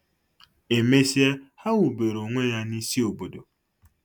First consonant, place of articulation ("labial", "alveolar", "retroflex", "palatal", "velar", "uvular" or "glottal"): labial